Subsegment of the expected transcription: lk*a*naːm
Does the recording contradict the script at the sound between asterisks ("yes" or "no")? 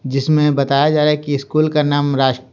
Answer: no